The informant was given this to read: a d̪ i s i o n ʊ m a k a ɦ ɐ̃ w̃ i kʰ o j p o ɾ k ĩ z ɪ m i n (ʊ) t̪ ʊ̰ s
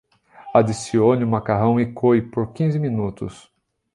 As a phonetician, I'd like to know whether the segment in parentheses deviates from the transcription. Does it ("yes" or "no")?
yes